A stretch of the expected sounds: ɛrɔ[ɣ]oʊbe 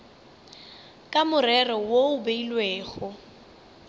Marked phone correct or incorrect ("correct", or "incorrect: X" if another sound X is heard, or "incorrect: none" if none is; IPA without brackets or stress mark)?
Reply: incorrect: w